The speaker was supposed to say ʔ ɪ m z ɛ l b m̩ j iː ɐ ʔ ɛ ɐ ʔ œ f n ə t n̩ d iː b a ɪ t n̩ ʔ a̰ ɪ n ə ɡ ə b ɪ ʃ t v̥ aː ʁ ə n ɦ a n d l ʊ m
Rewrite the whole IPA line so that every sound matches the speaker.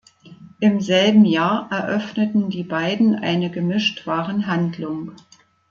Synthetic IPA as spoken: ʔ ɪ m z ɛ l b m̩ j aː ɐ ʔ ɛ ɐ ʔ œ f n ə t n̩ d iː b a ɪ d n̩ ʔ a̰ ɪ n ə ɡ ə m ɪ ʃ t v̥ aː ʁ ə n ɦ a n d l ʊ ŋ